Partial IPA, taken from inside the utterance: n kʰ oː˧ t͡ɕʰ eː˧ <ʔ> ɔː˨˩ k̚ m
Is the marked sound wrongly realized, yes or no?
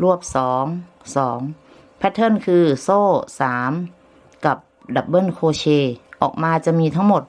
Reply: no